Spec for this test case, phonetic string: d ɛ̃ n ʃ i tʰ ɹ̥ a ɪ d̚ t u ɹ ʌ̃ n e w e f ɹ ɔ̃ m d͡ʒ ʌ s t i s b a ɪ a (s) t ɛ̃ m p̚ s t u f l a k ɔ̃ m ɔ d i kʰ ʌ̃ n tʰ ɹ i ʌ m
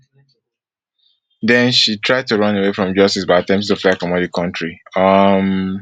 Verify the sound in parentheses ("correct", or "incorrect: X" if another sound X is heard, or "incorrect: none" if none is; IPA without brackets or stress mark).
incorrect: none